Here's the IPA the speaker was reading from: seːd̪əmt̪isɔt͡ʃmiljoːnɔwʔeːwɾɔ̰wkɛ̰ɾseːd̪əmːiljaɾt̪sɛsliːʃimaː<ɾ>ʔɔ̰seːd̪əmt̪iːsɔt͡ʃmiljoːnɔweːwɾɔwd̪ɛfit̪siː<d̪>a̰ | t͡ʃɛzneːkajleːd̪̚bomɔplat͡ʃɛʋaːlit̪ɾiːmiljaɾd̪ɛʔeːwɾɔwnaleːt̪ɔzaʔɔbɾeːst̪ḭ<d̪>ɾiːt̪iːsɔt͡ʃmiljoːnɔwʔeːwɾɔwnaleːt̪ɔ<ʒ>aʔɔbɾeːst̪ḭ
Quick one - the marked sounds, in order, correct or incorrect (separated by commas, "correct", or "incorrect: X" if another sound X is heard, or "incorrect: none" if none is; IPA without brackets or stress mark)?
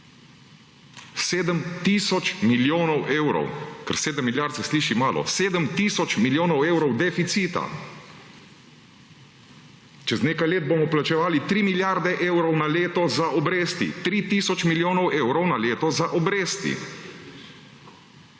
incorrect: l, incorrect: t̪, incorrect: t̪, incorrect: z